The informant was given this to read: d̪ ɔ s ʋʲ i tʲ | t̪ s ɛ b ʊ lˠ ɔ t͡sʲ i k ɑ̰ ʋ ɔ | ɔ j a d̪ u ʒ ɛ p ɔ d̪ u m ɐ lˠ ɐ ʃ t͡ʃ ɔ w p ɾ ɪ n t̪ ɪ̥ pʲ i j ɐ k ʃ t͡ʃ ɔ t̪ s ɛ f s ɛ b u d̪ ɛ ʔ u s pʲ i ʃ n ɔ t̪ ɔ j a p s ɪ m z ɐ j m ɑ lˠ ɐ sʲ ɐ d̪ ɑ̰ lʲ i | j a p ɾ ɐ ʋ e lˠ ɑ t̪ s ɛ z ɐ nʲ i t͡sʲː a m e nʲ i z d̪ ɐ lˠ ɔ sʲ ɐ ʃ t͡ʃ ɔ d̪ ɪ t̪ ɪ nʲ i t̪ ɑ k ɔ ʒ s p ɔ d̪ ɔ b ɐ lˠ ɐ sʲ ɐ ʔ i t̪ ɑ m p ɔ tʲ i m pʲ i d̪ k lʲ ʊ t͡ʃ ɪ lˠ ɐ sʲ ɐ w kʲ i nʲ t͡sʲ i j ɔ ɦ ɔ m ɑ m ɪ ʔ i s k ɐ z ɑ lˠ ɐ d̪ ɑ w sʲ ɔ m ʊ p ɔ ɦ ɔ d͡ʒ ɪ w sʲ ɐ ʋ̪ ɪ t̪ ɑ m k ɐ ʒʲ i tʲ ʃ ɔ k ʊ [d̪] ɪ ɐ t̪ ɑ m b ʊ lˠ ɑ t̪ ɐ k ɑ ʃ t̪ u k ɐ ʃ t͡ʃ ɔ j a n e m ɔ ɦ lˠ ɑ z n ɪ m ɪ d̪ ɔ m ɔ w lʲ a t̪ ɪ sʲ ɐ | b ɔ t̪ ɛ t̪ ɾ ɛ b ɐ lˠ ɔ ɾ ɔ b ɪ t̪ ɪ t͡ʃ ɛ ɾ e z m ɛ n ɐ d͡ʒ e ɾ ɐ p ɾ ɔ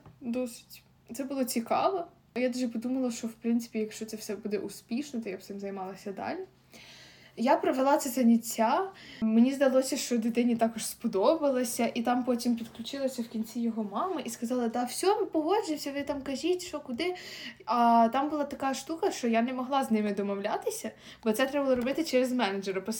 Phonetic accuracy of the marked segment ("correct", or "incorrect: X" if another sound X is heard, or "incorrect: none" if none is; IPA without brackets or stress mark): correct